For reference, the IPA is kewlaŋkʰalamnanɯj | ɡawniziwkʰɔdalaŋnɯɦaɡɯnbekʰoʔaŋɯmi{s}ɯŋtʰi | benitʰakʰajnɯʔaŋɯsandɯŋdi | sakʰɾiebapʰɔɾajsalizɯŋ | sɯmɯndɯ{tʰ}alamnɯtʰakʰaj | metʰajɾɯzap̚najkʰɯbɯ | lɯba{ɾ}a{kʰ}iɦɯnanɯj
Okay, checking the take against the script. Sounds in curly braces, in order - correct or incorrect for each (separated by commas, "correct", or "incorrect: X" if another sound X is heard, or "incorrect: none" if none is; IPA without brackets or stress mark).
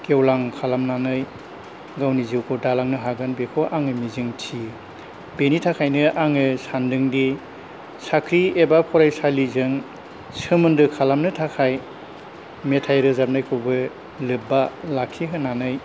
incorrect: z, incorrect: kʰ, incorrect: l, correct